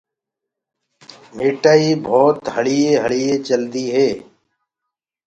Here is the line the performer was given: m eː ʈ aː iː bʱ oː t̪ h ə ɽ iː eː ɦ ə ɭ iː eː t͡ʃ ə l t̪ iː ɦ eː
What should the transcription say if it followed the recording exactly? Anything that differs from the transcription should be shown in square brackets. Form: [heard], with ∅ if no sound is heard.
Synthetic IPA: m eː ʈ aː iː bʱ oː t̪ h ə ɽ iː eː ɦ ə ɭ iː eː t͡ʃ ə l [d̪] iː ɦ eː